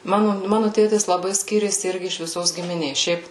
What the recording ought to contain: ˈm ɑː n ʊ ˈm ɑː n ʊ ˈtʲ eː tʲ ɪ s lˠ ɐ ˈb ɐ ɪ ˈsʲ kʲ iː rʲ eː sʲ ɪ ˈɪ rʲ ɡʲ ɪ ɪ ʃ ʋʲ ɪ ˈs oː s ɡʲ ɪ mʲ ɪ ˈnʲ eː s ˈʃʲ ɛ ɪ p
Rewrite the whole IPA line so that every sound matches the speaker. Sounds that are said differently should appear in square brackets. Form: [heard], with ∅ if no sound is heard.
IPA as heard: ˈm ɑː n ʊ ˈm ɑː n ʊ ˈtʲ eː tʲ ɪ s lˠ ɐ ˈb ɐ ɪ ˈsʲ kʲ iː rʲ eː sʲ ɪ ˈɪ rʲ ɡʲ ɪ ɪ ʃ ʋʲ ɪ ˈs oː s ɡʲ ɪ mʲ ɪ ˈnʲ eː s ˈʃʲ ɛ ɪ p

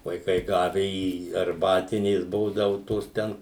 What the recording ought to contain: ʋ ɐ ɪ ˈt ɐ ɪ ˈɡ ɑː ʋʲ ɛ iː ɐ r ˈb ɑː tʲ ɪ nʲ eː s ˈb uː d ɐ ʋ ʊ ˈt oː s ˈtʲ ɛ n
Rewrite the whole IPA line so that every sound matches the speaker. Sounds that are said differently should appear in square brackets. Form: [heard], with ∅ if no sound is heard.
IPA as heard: ʋ ɐ ɪ [ˈk] ɐ ɪ ˈɡ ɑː ʋʲ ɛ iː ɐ r ˈb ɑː tʲ ɪ nʲ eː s ˈb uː d ɐ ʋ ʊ ˈt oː s ˈtʲ ɛ n

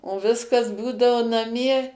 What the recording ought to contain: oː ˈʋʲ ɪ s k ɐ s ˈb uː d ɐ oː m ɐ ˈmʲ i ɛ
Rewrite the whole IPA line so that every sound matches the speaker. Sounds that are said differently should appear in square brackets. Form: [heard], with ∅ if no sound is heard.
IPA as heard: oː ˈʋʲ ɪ s k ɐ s ˈb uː d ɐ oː [n] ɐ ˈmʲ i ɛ

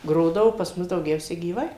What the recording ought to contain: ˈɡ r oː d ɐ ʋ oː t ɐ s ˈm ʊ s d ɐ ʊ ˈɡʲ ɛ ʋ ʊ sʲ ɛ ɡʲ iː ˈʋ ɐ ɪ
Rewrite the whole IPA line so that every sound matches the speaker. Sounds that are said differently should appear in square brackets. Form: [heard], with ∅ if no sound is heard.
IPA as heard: ˈɡ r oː d ɐ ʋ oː [p] ɐ s ˈm ʊ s d ɐ ʊ ˈɡʲ ɛ [∅] ʊ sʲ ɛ ɡʲ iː ˈʋ ɐ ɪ

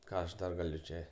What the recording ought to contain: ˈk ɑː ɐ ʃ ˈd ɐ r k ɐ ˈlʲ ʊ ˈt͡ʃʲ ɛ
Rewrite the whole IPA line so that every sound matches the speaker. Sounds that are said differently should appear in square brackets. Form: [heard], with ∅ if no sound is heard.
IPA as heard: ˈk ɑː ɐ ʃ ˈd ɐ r [ɡ] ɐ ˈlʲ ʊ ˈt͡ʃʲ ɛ

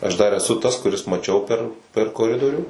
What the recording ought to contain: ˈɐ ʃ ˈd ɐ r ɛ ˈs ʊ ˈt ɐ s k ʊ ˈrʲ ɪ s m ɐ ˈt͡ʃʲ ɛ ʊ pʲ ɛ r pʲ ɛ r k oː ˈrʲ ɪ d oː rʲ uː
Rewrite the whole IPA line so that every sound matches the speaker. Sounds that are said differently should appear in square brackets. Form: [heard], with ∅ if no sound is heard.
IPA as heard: ˈɐ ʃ ˈd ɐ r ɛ ˈs ʊ ˈt ɐ s k ʊ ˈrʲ ɪ s m ɐ ˈt͡ʃʲ ɛ ʊ pʲ ɛ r pʲ ɛ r k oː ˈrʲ ɪ d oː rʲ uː

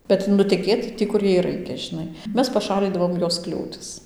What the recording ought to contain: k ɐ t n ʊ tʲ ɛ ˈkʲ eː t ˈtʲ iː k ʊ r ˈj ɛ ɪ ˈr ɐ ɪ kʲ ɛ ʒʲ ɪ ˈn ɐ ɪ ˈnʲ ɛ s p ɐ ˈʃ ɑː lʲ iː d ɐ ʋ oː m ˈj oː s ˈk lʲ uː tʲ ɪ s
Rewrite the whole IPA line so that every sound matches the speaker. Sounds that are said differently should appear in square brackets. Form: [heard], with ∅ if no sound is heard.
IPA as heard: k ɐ t n ʊ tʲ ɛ ˈkʲ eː t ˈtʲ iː k ʊ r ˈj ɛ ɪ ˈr ɐ ɪ kʲ ɛ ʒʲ ɪ ˈn ɐ ɪ [ˈmʲ] ɛ s p ɐ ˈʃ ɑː lʲ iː d ɐ ʋ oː m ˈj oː s ˈk lʲ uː tʲ ɪ s

